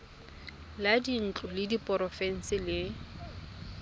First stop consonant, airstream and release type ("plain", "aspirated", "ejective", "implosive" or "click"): plain